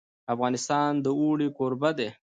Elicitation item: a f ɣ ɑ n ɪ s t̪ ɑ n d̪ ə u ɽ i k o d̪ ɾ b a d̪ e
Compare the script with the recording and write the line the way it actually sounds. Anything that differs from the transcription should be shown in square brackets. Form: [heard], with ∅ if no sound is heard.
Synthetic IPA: a f ɣ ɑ n ɪ s t̪ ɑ n d̪ ə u ɽ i k o [∅] ɾ b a d̪ e